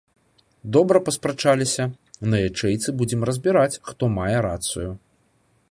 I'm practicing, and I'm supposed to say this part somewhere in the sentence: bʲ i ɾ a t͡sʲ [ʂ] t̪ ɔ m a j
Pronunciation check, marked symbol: incorrect: x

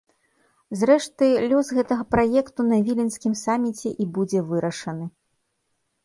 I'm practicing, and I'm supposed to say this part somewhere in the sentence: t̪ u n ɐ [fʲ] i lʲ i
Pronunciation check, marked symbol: incorrect: vʲ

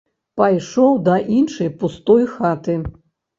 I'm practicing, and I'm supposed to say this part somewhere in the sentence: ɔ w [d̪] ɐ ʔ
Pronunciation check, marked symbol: correct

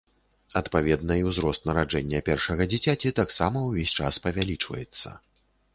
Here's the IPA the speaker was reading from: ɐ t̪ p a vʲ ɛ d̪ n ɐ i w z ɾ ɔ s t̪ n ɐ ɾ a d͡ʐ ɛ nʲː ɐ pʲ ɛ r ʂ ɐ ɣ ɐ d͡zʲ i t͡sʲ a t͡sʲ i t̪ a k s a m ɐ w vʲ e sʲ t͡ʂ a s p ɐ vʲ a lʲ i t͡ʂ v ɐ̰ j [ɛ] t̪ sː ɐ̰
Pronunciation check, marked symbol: correct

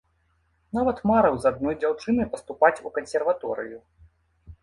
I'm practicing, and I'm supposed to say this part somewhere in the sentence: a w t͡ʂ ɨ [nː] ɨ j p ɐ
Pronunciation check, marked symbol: incorrect: n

